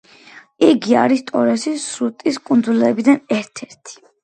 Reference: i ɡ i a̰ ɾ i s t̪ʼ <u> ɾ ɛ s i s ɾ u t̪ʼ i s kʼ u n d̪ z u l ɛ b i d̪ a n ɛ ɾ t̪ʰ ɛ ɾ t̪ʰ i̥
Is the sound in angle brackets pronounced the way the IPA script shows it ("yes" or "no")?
no